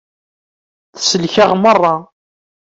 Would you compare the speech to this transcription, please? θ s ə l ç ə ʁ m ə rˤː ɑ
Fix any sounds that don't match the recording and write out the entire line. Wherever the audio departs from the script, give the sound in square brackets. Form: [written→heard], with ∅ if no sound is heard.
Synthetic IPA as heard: θ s ə l ç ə ʁ m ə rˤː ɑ